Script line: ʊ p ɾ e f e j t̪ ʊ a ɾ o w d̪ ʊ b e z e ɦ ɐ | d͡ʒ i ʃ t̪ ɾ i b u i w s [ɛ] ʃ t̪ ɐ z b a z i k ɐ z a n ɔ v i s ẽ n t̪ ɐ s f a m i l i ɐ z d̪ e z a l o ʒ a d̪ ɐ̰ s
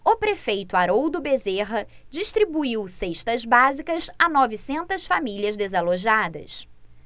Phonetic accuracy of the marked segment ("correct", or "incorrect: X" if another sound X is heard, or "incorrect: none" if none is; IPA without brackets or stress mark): incorrect: e